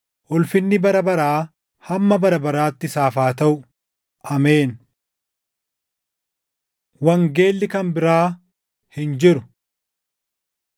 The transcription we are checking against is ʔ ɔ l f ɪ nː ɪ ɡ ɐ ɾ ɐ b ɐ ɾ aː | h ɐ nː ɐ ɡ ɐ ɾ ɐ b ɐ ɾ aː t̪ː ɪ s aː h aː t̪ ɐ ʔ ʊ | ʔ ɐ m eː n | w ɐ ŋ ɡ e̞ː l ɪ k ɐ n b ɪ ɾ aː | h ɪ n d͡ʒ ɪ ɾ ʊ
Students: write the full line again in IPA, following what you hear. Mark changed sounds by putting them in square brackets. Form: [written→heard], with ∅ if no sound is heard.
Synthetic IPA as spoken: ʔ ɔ l f ɪ nː ɪ [ɡ→b] ɐ ɾ ɐ b ɐ ɾ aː | h ɐ [nː→mː] ɐ [ɡ→b] ɐ ɾ ɐ b ɐ ɾ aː t̪ː ɪ s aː [h→f] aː t̪ ɐ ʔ ʊ | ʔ ɐ m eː n | w ɐ ŋ ɡ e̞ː [l→lː] ɪ k ɐ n b ɪ ɾ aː | h ɪ n d͡ʒ ɪ ɾ ʊ